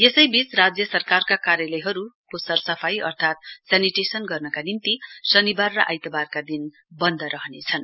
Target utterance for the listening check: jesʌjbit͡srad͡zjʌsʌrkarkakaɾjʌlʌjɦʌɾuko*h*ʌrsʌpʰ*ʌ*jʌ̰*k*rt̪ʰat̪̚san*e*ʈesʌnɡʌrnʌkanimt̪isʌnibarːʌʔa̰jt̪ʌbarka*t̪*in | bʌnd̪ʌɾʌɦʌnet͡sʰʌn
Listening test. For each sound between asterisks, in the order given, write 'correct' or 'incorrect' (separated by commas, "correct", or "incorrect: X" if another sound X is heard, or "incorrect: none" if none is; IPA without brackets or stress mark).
incorrect: s, incorrect: a, incorrect: none, incorrect: i, incorrect: d̪